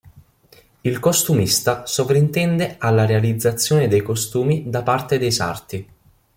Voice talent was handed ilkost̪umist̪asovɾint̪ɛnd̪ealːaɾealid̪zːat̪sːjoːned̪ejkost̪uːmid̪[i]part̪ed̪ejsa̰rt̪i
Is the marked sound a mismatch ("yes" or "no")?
yes